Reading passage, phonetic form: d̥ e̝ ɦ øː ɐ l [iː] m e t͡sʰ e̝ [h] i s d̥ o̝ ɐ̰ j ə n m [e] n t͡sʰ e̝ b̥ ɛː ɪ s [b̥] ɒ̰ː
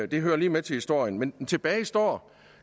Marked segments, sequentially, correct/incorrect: correct, correct, correct, incorrect: d̥

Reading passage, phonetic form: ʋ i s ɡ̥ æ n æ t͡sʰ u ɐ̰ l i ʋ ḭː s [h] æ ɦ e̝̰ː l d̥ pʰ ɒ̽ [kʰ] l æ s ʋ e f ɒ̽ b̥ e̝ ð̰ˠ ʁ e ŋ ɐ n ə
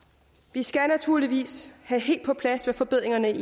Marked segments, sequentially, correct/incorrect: correct, incorrect: pʰ

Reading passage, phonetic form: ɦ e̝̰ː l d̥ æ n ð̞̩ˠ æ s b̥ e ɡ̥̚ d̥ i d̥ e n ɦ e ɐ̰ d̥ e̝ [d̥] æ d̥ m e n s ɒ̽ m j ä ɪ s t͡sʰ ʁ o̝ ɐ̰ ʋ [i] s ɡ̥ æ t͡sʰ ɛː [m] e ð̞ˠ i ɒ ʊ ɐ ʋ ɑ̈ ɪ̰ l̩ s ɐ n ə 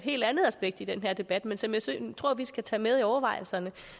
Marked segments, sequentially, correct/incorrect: incorrect: b̥, correct, correct

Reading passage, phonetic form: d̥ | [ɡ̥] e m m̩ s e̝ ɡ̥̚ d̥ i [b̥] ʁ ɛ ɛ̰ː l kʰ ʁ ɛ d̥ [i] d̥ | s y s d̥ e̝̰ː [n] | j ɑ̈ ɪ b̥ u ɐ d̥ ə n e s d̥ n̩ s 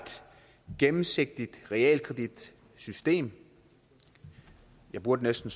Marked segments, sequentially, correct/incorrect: correct, incorrect: d̥, correct, incorrect: m

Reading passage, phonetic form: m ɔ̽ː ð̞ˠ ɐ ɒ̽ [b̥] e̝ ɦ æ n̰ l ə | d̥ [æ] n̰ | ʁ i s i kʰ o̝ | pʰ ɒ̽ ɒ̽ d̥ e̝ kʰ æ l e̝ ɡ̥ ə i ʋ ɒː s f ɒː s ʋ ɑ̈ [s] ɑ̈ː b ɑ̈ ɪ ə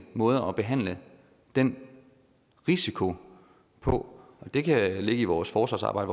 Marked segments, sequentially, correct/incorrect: correct, incorrect: e, correct

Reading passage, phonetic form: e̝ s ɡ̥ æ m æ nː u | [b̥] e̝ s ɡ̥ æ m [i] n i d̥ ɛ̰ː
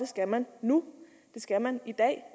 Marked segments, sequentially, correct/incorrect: incorrect: d̥, incorrect: æ

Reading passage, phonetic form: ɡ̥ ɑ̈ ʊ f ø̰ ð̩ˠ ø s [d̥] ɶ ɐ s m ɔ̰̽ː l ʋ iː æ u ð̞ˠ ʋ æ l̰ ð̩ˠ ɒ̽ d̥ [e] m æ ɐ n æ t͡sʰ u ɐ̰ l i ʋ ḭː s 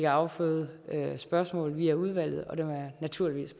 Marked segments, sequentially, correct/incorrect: incorrect: b̥, correct

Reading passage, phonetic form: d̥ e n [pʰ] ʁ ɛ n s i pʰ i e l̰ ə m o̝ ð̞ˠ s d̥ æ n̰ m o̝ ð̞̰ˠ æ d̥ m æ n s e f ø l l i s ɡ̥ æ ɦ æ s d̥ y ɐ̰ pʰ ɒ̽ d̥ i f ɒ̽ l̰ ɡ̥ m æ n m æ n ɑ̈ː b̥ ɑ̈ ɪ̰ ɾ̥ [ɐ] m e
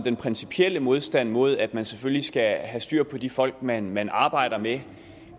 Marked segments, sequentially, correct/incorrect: correct, correct

